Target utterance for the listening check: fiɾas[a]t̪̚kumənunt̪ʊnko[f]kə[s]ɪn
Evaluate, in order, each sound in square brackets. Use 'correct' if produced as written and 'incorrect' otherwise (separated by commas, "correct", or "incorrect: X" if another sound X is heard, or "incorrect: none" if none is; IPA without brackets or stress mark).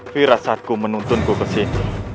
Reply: correct, incorrect: none, correct